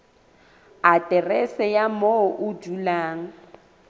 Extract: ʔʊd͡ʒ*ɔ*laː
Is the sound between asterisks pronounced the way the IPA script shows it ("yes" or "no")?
no